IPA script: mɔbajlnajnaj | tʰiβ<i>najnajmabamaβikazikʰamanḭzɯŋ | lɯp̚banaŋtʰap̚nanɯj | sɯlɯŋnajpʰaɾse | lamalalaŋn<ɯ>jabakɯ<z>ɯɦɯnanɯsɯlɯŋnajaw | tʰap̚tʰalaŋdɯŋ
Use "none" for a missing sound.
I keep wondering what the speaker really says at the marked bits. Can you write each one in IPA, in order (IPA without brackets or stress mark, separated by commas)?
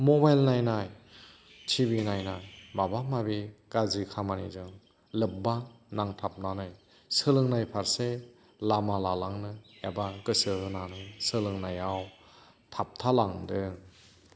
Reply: i, ɯ, s